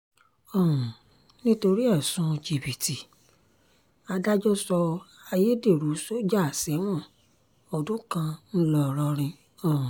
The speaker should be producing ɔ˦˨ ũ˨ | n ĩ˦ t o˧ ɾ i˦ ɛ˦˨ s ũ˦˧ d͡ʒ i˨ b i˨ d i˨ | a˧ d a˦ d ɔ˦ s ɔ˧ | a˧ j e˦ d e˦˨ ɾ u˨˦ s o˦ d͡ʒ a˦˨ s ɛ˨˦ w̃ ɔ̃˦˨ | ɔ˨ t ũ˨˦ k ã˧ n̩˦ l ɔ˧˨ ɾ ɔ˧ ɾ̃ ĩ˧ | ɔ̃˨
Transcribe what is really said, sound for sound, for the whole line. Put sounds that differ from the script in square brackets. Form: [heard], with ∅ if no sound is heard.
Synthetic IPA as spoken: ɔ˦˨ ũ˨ | n ĩ˦ t o˧ ɾ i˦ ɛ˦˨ s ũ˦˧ d͡ʒ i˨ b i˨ [t] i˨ | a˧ d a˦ [d͡ʒ] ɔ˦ s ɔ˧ | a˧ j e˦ d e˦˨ ɾ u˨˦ s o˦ d͡ʒ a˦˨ s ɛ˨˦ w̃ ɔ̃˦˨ | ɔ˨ [d] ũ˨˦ k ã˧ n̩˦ l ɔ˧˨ ɾ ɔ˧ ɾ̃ ĩ˧ | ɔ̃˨